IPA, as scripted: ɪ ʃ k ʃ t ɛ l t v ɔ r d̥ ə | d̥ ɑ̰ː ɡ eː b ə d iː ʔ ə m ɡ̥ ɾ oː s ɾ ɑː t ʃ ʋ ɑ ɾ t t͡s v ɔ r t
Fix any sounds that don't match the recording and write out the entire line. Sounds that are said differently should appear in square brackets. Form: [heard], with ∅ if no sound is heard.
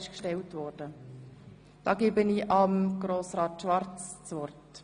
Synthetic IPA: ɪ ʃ k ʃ t ɛ l t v ɔ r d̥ ə | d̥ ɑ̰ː ɡ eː b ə [n] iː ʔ [ɑ] m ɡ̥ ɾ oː s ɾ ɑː t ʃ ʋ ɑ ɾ [t͡s] t͡s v ɔ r t